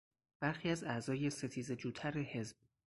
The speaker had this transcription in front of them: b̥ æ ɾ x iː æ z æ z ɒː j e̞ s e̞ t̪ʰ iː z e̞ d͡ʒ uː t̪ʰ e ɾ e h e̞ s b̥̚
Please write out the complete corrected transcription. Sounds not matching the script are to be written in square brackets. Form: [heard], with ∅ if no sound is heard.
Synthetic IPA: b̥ æ ɾ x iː æ z æ z ɒː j e̞ s e̞ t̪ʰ iː z e̞ d͡ʒ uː t̪ʰ [æ] ɾ e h e̞ [z] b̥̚